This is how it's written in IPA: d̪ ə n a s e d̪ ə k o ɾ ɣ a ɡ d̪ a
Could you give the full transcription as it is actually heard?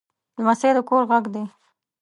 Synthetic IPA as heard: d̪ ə m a s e d̪ ə k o ɾ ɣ a ɡ d̪ e